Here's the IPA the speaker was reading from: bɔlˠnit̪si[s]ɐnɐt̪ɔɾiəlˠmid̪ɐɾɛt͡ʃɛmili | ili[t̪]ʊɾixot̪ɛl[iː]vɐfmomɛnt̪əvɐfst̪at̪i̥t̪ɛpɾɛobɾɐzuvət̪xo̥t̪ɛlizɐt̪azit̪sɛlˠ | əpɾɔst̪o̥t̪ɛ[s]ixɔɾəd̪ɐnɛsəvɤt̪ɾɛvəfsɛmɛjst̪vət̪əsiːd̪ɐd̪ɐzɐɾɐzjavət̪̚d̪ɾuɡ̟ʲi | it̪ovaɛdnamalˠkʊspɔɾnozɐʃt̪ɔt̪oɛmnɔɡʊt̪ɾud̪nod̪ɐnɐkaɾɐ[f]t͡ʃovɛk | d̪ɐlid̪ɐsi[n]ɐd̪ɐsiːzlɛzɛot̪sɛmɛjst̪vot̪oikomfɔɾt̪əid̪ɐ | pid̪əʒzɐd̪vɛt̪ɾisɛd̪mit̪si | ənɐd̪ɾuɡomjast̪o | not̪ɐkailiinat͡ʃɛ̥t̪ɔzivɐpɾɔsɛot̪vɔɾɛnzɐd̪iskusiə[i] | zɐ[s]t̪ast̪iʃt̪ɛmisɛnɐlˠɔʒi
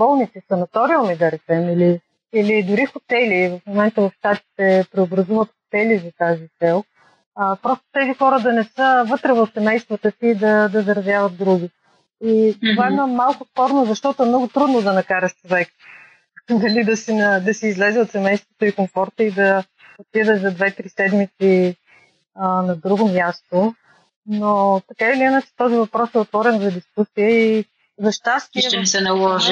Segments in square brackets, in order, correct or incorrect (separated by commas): correct, incorrect, incorrect, incorrect, incorrect, correct, correct, incorrect